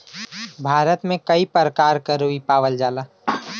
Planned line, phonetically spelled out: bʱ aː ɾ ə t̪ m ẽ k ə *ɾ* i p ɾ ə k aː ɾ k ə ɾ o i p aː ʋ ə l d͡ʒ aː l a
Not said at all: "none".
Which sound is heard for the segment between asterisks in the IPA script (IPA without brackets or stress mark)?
none